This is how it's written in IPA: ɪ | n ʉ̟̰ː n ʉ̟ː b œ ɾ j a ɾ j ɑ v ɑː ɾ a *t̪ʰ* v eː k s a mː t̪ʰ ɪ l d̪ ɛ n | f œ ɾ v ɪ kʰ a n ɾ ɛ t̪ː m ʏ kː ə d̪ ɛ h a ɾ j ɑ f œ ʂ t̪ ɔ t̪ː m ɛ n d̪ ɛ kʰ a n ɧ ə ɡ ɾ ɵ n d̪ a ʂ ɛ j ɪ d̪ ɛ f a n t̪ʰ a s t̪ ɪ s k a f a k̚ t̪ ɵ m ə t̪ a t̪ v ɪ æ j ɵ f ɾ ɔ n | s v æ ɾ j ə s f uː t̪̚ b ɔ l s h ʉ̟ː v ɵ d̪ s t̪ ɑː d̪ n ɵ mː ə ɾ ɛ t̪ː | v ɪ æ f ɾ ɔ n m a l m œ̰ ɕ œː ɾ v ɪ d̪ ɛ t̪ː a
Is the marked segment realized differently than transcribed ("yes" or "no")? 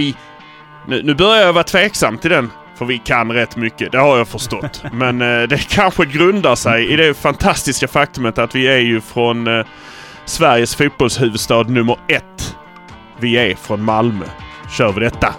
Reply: no